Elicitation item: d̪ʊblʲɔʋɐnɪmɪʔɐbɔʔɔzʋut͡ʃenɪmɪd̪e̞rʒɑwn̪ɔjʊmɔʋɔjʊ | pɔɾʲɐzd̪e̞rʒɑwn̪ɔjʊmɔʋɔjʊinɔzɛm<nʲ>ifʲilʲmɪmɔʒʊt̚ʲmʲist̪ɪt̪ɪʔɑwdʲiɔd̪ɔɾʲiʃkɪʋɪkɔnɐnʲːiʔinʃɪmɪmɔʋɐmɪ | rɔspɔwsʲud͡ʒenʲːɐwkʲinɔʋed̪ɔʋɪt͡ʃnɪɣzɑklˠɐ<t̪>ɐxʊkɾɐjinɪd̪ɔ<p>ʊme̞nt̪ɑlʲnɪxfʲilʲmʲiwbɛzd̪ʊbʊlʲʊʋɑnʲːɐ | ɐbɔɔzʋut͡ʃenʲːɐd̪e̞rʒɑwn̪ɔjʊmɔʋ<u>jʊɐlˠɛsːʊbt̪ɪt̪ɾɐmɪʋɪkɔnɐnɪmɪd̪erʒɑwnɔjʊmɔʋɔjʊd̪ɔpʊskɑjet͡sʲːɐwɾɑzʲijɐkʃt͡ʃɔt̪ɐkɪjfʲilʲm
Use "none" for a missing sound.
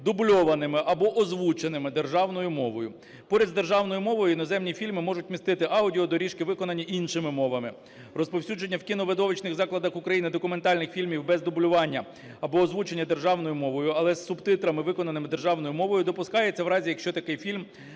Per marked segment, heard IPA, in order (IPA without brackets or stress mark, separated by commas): nʲ, d̪, k, ɔ